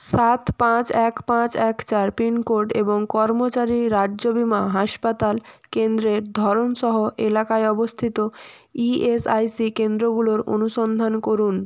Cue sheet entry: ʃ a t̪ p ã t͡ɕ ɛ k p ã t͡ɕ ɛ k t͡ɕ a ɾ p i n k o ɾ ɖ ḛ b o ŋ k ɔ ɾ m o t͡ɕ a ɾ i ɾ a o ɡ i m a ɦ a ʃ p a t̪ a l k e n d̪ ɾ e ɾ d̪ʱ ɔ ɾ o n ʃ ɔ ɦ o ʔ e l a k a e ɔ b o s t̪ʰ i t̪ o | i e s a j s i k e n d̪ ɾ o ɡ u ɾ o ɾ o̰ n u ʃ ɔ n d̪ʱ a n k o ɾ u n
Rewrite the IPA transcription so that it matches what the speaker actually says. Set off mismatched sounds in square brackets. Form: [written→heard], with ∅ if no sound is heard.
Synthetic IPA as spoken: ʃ a t̪ p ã t͡ɕ ɛ k p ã t͡ɕ ɛ k t͡ɕ a ɾ p i n k o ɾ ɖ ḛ b o ŋ k ɔ ɾ m o t͡ɕ a ɾ i ɾ a o [ɡ→b] i m a ɦ a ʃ p a t̪ a l k e n d̪ ɾ e ɾ d̪ʱ ɔ ɾ o n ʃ ɔ ɦ o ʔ e l a k a e ɔ b o s t̪ʰ i t̪ o | i e s a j s i k e n d̪ ɾ o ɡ u [ɾ→l] o ɾ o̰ n u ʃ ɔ n d̪ʱ a n k o ɾ u n